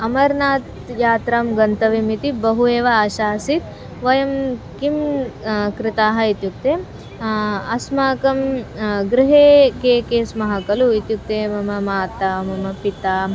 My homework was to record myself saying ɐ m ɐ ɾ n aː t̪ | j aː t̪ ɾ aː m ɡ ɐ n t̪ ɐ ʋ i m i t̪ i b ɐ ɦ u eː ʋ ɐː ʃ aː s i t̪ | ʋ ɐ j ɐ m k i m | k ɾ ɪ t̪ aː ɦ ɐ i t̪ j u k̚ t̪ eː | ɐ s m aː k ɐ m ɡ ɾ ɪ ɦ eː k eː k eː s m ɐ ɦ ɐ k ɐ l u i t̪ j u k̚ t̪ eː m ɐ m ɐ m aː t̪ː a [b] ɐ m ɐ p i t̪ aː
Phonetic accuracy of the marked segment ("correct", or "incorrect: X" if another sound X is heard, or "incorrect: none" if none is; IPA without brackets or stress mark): incorrect: m